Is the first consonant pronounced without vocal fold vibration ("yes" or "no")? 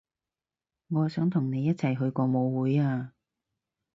no